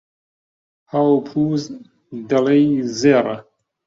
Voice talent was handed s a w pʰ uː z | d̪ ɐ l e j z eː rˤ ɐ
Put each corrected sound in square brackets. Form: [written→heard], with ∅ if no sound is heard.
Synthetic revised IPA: [s→h] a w pʰ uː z | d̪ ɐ l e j z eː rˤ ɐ